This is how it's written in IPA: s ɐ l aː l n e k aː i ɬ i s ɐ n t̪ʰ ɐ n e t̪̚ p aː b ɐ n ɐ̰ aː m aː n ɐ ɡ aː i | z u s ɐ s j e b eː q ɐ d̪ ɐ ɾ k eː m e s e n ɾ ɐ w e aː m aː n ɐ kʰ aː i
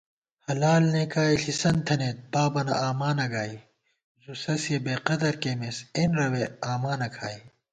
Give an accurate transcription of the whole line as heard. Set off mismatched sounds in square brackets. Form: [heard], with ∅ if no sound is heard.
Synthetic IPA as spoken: [h] ɐ l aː l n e k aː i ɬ i s ɐ n t̪ʰ ɐ n e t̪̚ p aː b ɐ n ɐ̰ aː m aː n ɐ ɡ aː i | z u s ɐ s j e b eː q ɐ d̪ ɐ ɾ k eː m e s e n ɾ ɐ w e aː m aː n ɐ kʰ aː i

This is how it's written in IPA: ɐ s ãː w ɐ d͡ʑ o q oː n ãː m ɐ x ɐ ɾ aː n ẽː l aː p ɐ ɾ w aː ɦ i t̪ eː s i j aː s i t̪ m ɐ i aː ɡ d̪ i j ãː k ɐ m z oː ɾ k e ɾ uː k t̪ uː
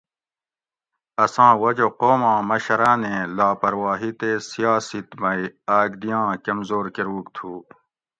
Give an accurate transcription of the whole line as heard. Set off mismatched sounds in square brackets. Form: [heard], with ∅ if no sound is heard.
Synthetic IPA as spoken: ɐ s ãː w ɐ d͡ʑ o q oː [m] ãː m ɐ [ɕ] ɐ ɾ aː n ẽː l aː p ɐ ɾ w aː ɦ i t̪ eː s i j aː s i t̪ m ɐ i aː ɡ d̪ i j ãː k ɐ m z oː ɾ k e ɾ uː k [t̪ʰ] uː

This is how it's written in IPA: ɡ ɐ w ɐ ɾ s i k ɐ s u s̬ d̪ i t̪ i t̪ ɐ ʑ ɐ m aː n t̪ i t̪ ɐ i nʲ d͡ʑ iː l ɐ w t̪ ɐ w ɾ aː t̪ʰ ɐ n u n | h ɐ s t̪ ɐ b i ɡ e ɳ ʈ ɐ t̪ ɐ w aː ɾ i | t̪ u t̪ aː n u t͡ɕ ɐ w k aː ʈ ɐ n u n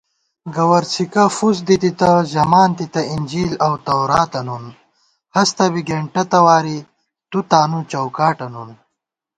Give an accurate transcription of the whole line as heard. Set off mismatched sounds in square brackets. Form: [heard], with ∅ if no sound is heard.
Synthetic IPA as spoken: ɡ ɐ w ɐ ɾ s i k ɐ [f] u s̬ d̪ i t̪ i t̪ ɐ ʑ ɐ m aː n t̪ i t̪ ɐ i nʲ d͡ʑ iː l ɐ w t̪ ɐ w ɾ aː [t̪] ɐ n u n | h ɐ s t̪ ɐ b i ɡ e ɳ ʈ ɐ t̪ ɐ w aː ɾ i | t̪ u t̪ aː n u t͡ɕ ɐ w k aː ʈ ɐ n u n

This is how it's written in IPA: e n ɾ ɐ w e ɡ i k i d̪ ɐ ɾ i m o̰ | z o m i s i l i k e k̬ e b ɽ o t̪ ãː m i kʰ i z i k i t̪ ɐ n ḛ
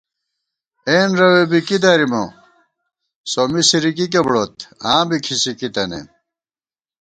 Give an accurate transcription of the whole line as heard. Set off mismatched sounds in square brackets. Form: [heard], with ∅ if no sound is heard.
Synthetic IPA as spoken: e n ɾ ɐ w e [b] i k i d̪ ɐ ɾ i m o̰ | [s] o m i s i [ɾ] i k [i] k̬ e b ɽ o t̪ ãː [b] i kʰ i [s] i k i t̪ ɐ n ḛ

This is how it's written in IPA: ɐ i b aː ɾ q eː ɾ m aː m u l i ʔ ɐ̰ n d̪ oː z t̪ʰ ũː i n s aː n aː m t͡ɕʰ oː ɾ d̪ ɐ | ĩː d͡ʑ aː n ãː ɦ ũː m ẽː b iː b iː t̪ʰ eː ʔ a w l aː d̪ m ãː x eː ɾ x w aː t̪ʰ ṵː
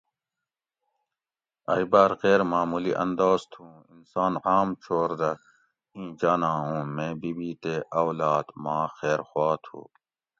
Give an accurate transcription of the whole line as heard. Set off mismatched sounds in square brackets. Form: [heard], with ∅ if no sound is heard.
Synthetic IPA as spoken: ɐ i b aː ɾ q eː ɾ m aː m u l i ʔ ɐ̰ n d̪ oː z t̪ʰ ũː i n s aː n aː m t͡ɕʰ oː ɾ d̪ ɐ | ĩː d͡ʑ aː n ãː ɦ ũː m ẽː b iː b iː [t̪] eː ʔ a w l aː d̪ m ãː x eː ɾ x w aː t̪ʰ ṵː

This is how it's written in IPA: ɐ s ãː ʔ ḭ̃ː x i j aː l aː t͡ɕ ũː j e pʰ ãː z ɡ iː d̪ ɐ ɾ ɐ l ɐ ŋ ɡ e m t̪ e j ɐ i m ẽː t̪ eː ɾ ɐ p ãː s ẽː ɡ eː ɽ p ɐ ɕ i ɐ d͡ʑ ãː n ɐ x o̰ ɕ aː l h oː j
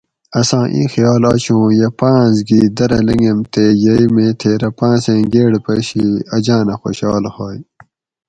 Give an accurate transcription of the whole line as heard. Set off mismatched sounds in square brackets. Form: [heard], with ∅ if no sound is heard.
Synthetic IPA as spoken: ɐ s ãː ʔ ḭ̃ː x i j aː l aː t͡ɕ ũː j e [p] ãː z ɡ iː d̪ ɐ ɾ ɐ l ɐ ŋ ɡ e m t̪ e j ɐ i m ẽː [t̪ʰ] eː ɾ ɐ p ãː s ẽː ɡ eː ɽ p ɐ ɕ i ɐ d͡ʑ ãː n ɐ x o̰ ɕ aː l h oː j

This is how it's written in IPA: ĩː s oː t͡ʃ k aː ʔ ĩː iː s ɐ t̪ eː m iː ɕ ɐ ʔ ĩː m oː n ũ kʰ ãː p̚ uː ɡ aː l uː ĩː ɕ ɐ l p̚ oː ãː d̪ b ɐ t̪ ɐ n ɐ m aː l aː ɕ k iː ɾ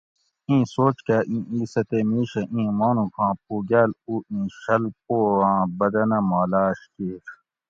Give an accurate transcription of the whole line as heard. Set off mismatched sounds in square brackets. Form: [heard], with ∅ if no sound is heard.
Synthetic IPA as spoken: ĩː s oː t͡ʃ k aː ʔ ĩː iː s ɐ t̪ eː m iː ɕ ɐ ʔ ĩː m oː n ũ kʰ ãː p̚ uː ɡ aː l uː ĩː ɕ ɐ l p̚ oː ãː [∅] b ɐ [d̪] ɐ n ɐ m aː l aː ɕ k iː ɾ

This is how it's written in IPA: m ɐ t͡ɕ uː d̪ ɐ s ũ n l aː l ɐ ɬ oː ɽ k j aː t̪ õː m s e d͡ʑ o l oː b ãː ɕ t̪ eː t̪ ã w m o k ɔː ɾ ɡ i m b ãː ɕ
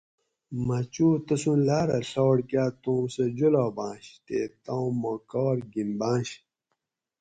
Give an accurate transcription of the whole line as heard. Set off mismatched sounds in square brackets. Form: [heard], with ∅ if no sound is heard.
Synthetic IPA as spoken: m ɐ t͡ɕ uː [t̪] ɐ s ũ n l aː [ɾ] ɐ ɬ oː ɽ k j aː t̪ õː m s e d͡ʑ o l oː b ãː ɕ t̪ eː t̪ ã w m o k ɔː ɾ ɡ i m b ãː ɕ

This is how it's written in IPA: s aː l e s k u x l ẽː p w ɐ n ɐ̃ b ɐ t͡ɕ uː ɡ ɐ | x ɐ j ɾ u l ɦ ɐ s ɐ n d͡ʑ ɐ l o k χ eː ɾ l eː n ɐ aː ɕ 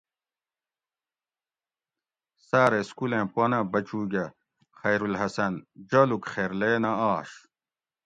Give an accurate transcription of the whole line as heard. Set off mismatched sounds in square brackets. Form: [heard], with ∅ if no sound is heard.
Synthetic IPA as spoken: s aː [ɾ] e s k u [∅] l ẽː p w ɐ n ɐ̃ b ɐ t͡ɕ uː ɡ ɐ | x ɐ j ɾ u l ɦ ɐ s ɐ n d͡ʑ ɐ l [u] k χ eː ɾ l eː n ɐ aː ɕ

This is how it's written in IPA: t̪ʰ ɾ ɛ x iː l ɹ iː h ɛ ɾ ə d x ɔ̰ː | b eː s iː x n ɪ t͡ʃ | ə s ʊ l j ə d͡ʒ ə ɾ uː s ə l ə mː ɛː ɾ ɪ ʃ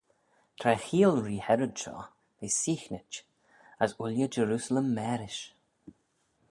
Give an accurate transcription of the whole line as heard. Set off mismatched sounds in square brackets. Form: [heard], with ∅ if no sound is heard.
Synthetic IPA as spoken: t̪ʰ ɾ ɛ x iː l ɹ iː h ɛ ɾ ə d [ʃ] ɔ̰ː | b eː s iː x n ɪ t͡ʃ | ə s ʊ l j ə d͡ʒ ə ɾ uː s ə l ə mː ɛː ɾ ɪ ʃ

